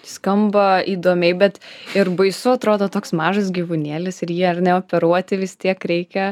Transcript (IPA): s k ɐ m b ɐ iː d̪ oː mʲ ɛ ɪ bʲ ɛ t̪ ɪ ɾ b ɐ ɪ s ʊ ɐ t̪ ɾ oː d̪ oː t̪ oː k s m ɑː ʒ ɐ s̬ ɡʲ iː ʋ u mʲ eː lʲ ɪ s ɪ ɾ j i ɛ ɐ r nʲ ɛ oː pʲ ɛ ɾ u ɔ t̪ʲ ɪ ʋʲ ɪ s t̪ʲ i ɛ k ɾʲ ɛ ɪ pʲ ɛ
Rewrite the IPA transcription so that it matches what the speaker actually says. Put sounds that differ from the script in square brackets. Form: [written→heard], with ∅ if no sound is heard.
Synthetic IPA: s k ɐ m b ɐ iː d̪ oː mʲ ɛ ɪ bʲ ɛ t̪ ɪ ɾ b ɐ ɪ s ʊ ɐ t̪ ɾ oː d̪ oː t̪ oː k s m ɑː ʒ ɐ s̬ ɡʲ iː ʋ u [mʲ→nʲ] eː lʲ ɪ s ɪ ɾ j i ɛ ɐ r nʲ ɛ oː pʲ ɛ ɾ u ɔ t̪ʲ ɪ ʋʲ ɪ s t̪ʲ i ɛ k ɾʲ ɛ ɪ [pʲ→kʲ] ɛ

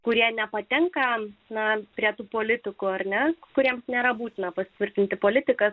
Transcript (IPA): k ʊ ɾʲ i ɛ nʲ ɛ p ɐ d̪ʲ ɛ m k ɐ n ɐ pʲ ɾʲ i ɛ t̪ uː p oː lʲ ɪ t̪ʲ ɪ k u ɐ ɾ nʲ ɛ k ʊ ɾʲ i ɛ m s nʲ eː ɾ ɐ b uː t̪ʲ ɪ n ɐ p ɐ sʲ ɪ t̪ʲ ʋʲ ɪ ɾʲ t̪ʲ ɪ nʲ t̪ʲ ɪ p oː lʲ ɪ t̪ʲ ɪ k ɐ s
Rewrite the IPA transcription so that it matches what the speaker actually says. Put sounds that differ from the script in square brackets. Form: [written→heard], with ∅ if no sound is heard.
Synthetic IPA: k ʊ ɾʲ i ɛ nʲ ɛ p ɐ [d̪ʲ→t̪ʲ] ɛ [m→ŋ] k ɐ n ɐ pʲ ɾʲ i ɛ t̪ uː p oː lʲ ɪ t̪ʲ ɪ k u ɐ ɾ nʲ ɛ k ʊ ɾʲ i ɛ m s nʲ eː ɾ ɐ b uː t̪ʲ ɪ n ɐ p ɐ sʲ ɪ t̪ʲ ʋʲ ɪ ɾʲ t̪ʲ ɪ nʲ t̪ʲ ɪ p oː lʲ ɪ t̪ʲ ɪ k ɐ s

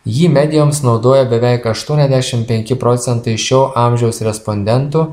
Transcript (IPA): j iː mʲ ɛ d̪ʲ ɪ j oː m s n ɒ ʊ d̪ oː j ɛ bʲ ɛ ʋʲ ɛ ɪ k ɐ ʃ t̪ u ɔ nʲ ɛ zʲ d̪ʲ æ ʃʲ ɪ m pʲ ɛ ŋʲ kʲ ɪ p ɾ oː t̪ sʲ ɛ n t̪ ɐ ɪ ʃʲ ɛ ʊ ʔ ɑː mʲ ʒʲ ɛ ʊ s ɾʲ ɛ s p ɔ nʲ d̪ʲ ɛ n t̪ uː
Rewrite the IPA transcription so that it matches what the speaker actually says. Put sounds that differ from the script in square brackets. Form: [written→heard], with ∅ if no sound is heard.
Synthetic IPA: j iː mʲ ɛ d̪ʲ ɪ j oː m s n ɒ ʊ d̪ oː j ɛ bʲ ɛ ʋʲ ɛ ɪ k ɐ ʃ t̪ u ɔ nʲ ɛ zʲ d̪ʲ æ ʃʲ ɪ m pʲ ɛ ŋʲ kʲ ɪ p ɾ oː t̪ sʲ ɛ n t̪ ɐ ɪ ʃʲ ɛ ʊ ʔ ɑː mʲ ʒʲ ɛ ʊ s ɾʲ ɛ s p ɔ nʲ d̪ʲ ɛ n t̪ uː

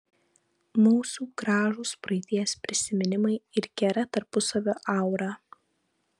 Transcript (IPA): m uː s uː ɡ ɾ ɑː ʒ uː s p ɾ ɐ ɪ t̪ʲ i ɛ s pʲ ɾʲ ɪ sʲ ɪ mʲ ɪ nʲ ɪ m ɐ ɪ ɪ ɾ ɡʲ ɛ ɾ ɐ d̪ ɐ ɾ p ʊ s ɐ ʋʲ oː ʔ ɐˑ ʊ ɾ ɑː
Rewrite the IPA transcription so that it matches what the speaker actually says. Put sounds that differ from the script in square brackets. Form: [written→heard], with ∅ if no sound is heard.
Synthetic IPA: m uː s uː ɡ ɾ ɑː ʒ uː s p ɾ ɐ ɪ t̪ʲ i ɛ s pʲ ɾʲ ɪ sʲ ɪ mʲ ɪ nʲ ɪ m ɐ ɪ ɪ ɾ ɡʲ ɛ ɾ ɐ [d̪→t̪] ɐ ɾ p ʊ s ɐ ʋʲ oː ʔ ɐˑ ʊ ɾ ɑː

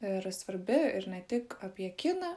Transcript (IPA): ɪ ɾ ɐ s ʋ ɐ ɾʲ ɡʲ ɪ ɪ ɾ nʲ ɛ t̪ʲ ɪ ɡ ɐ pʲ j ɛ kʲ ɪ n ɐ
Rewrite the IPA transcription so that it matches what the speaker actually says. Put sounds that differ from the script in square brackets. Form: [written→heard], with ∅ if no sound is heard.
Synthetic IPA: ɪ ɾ ɐ s ʋ ɐ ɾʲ [ɡʲ→bʲ] ɪ ɪ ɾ nʲ ɛ t̪ʲ ɪ [ɡ→k] ɐ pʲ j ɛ kʲ ɪ n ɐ

